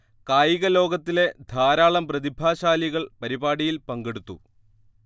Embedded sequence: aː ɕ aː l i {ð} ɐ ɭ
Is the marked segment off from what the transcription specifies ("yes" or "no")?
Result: yes